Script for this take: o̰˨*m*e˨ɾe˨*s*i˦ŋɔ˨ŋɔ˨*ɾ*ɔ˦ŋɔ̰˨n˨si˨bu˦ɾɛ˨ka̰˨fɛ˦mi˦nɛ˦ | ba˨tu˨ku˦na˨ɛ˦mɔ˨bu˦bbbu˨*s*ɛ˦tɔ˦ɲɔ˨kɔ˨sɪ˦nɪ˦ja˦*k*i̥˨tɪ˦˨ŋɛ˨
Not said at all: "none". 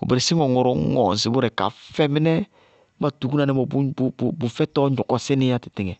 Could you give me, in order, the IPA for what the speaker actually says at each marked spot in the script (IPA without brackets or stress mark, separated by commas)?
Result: b, s, ɾ, f, t